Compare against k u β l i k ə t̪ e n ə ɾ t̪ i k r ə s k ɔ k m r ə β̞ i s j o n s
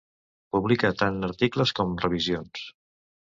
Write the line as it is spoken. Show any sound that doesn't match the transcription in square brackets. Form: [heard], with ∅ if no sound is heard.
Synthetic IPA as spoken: [p] u β l i k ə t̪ [a] n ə ɾ t̪ i k [l] ə s k ɔ [∅] m r ə β̞ i [z] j o n s